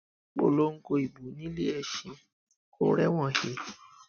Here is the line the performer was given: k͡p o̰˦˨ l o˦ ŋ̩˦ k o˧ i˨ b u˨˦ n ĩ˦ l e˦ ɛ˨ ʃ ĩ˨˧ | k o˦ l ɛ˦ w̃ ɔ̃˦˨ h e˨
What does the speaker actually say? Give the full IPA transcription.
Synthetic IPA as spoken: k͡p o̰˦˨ l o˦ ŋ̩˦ k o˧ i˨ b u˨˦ n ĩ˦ l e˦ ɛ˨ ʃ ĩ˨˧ | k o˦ ɾ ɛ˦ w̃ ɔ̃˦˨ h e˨